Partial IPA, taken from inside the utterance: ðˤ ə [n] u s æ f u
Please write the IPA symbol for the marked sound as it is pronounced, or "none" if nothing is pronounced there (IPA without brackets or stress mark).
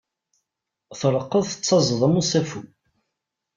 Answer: m